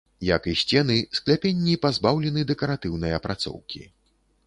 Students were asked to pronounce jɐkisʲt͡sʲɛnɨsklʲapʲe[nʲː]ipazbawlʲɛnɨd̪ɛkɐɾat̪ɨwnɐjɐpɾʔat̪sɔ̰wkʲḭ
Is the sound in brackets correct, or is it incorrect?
correct